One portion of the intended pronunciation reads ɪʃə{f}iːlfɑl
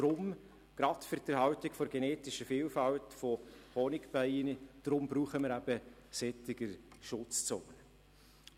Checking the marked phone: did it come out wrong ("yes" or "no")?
no